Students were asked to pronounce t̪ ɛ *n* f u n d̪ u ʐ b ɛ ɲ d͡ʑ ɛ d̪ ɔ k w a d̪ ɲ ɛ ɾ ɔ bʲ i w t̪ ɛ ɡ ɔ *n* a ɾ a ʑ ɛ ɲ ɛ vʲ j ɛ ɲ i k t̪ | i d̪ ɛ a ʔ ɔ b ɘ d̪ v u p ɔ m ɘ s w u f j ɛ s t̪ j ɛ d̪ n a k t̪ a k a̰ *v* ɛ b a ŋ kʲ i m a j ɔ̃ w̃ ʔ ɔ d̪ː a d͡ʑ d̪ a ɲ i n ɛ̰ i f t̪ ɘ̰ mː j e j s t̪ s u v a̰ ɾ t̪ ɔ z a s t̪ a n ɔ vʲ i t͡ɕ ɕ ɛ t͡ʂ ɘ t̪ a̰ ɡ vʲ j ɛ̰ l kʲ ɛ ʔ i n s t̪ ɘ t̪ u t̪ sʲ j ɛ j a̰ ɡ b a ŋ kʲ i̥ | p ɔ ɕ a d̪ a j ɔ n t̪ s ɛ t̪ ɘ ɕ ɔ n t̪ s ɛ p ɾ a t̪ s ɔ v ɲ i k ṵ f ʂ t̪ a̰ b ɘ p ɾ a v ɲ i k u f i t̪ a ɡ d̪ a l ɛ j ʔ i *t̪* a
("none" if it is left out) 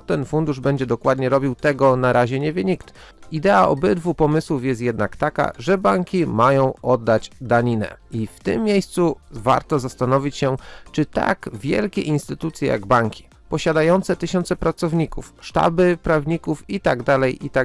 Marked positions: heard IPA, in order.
n, n, ʐ, t̪

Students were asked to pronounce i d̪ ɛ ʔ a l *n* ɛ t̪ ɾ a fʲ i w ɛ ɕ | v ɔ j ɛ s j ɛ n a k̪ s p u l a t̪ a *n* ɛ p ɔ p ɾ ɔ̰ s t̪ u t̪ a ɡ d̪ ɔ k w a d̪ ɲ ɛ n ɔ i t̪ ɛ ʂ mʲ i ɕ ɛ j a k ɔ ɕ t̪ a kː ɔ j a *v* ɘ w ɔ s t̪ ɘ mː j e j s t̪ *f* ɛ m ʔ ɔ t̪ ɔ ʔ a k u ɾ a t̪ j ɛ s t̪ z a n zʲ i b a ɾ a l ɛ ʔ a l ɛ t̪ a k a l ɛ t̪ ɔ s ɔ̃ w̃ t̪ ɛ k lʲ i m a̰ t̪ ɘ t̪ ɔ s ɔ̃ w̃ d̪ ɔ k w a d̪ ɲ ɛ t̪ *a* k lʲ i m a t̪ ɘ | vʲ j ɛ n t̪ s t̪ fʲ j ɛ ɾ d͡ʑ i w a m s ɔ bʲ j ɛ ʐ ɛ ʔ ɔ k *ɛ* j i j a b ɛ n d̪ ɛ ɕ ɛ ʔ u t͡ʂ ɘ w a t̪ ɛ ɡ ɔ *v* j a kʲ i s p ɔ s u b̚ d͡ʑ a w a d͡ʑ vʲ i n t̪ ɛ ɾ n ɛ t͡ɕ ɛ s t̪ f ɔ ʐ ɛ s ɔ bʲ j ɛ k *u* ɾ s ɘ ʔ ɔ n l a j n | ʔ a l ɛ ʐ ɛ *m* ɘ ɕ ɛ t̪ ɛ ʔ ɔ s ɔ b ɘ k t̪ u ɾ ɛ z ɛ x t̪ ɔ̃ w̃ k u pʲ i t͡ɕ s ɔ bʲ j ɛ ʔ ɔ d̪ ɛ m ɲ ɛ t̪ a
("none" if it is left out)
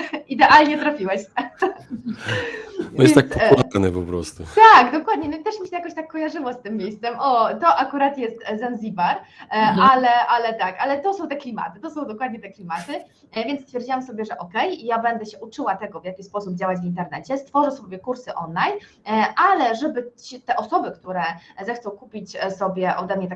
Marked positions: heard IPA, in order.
ɲ, n, ʐ, s, ɛ, ɛ, v, u, b

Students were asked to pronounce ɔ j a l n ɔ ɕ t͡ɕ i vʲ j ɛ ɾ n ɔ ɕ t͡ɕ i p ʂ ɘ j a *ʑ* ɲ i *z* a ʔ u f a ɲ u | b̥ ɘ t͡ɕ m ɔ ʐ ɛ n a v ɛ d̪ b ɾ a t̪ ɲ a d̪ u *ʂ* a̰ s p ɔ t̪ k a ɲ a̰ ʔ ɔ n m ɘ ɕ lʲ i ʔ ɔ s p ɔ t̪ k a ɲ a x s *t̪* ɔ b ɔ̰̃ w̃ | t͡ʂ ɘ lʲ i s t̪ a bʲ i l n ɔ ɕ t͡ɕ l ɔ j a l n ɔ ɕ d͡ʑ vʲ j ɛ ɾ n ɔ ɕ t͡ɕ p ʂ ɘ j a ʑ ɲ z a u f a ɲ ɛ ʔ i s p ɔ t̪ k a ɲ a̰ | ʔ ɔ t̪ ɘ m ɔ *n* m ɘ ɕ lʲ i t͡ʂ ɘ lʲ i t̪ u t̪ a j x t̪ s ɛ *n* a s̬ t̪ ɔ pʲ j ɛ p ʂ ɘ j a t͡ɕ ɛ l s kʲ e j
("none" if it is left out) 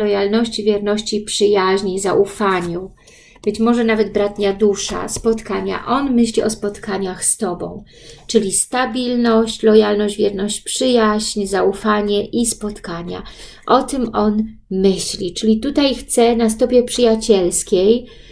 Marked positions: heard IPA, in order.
ʑ, z, ʂ, t̪, n, n

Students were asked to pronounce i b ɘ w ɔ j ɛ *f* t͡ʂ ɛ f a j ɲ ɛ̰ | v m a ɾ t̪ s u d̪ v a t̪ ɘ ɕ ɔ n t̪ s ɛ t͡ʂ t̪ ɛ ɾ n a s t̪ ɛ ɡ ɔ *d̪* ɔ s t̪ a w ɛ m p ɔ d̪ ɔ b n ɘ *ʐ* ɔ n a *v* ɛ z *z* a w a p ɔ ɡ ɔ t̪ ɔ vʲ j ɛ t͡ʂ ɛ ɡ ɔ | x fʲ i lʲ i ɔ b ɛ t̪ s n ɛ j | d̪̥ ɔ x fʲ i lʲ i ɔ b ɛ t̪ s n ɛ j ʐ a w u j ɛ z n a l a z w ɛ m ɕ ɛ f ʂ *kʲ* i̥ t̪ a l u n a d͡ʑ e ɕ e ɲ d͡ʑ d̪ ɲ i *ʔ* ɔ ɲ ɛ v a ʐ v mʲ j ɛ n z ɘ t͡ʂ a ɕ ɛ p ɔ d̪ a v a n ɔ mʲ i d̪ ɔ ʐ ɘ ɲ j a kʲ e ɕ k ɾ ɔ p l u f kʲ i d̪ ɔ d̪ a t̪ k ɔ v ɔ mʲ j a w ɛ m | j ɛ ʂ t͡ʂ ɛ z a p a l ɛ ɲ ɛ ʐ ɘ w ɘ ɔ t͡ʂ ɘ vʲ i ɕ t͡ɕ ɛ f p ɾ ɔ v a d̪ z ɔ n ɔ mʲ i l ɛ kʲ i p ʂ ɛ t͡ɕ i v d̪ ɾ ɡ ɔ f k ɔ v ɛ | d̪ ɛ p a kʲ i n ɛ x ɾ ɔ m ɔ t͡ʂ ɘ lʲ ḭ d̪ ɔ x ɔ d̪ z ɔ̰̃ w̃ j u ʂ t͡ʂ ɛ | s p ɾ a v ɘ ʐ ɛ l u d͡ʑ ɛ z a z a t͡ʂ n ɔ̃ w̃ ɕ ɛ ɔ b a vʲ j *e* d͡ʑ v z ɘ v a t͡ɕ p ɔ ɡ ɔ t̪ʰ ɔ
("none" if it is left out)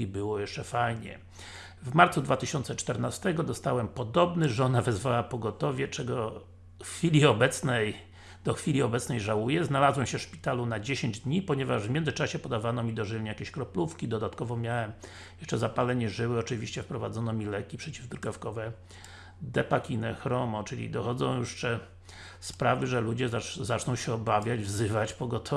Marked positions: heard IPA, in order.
ʂ, d̪, ʐ, v, v, pʲ, p, a

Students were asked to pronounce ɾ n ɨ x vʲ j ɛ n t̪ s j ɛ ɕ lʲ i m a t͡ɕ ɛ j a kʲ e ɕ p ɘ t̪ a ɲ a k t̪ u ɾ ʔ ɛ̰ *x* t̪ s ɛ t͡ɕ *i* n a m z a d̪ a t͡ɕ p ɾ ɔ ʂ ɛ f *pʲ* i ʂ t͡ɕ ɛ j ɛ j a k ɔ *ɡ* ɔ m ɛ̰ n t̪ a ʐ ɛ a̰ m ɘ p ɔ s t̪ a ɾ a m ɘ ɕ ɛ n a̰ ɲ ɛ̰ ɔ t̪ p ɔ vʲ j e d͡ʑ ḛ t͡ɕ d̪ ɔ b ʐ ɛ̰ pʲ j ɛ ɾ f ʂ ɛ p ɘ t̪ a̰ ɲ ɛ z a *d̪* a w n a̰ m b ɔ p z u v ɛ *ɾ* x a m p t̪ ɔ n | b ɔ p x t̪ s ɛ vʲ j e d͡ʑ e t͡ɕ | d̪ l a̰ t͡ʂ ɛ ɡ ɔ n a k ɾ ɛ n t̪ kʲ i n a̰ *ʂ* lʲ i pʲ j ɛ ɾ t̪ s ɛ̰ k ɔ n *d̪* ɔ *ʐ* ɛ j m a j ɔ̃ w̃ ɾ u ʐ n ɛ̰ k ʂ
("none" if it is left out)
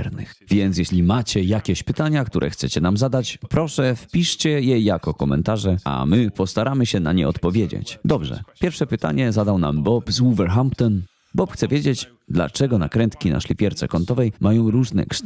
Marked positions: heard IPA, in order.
x, ɛ, pʲ, k, d̪, ɾ, ʂ, t̪, v

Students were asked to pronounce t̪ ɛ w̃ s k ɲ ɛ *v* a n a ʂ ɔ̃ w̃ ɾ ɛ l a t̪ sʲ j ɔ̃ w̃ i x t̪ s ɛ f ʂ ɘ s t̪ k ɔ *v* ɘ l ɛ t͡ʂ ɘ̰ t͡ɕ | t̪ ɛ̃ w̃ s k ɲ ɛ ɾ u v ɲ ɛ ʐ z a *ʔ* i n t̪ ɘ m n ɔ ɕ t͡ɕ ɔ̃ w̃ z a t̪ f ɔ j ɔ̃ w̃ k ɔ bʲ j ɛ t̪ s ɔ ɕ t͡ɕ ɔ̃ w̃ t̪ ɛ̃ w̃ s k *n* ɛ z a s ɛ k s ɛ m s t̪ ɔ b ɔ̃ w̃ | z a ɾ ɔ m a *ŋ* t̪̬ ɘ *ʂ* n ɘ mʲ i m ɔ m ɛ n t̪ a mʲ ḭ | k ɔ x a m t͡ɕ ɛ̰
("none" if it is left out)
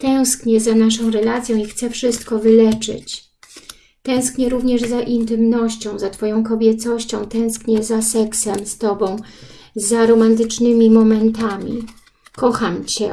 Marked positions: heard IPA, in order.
z, v, ʔ, ɲ, n, t͡ʂ

